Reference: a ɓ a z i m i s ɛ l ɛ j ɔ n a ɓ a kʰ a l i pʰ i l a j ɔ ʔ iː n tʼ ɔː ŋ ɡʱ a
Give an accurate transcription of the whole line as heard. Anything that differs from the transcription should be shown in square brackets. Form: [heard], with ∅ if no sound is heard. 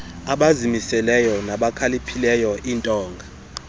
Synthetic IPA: a ɓ a z i m i s ɛ l ɛ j ɔ n a ɓ a kʰ a l i pʰ i l [ɛ] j ɔ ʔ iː n tʼ ɔː ŋ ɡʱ a